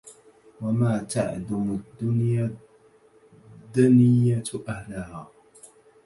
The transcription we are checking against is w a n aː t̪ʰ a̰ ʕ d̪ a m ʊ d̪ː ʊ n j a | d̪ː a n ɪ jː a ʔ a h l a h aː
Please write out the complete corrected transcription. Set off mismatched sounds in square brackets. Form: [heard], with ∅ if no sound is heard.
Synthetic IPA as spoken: w a [m] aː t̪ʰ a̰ ʕ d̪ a m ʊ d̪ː ʊ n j a | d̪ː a n ɪ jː a ʔ a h l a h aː